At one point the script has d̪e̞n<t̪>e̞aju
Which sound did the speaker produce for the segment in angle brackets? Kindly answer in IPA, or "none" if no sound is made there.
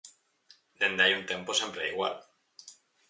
d̪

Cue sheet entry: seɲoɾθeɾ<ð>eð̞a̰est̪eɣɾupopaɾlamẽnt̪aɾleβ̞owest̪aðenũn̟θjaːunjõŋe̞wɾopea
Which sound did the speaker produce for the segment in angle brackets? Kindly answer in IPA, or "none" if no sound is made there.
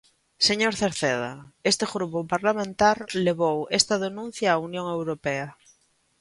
θ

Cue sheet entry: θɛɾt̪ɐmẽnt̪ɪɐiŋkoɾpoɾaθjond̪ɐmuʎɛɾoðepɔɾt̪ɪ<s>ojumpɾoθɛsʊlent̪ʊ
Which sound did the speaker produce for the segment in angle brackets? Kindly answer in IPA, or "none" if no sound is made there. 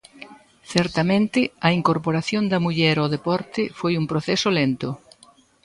f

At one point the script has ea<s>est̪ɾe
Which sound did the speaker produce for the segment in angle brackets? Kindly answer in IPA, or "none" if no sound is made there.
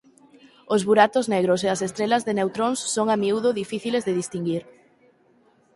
s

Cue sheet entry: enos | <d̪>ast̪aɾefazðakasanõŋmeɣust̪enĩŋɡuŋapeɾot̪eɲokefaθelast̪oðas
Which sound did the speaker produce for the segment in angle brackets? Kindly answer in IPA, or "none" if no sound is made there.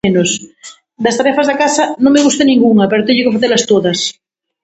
d̪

